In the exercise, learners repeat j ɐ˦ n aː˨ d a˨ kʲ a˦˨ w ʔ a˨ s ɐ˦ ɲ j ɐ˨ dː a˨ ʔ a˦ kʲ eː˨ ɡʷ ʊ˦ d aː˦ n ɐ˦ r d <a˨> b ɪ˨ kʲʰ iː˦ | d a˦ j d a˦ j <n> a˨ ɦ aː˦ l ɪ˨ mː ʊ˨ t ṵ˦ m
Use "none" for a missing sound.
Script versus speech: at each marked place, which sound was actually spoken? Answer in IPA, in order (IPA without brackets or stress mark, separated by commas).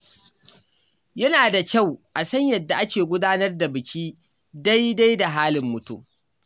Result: a˨, d